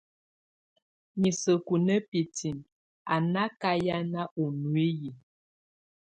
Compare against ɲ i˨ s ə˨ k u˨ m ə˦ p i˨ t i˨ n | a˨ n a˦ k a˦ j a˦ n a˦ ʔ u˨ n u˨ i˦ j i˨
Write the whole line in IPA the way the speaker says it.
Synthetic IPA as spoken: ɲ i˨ s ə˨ k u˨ n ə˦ p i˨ t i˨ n | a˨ n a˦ k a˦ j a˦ n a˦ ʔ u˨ n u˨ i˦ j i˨